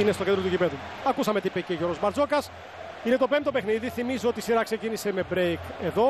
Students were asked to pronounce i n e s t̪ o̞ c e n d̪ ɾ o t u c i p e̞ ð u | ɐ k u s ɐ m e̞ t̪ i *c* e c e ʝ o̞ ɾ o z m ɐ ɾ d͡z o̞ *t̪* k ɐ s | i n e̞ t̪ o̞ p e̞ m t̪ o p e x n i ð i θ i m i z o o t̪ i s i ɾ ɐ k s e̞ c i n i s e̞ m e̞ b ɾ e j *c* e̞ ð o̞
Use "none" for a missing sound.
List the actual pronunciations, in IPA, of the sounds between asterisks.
p, none, k

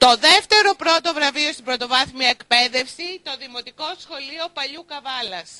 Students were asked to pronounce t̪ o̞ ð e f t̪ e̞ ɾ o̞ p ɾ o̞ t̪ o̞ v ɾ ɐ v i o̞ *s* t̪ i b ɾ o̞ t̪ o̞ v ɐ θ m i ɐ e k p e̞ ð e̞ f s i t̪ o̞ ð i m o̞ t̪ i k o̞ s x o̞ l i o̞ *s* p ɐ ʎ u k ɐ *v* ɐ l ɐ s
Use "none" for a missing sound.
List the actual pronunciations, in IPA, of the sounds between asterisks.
s, none, v

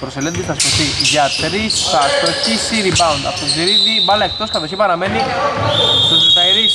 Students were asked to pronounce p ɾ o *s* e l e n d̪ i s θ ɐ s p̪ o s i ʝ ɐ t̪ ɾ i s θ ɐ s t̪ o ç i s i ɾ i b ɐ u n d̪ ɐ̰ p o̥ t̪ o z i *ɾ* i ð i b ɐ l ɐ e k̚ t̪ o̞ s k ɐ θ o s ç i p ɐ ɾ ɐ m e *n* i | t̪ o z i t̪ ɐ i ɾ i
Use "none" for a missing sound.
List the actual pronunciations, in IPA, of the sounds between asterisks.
s, ɾ, n

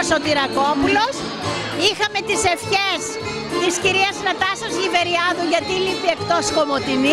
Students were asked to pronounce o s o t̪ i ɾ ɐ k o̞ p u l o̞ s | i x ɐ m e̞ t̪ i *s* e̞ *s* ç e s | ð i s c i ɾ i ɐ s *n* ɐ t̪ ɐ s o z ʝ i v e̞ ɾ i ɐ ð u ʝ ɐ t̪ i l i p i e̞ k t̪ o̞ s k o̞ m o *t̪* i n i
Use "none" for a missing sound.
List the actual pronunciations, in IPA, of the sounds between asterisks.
s, f, n, t̪

